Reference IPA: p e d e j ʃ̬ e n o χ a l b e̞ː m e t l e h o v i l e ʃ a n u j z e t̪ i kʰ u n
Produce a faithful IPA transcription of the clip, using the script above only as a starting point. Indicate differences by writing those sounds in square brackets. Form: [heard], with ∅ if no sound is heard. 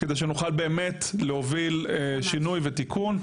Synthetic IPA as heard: [k] e d e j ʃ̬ e n [u] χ a l b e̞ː m e t l e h o v i l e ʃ [i] n u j [v] e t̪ i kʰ u n